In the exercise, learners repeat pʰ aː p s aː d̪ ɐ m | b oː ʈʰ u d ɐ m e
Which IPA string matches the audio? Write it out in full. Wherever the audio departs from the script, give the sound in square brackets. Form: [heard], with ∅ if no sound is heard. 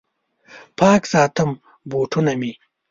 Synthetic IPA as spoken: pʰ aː [k] s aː [t̪] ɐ m | b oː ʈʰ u [n] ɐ m [i]